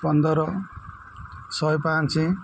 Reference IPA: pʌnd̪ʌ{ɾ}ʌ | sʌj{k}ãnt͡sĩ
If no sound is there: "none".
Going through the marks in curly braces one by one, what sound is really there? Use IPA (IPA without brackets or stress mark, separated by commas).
ɾ, p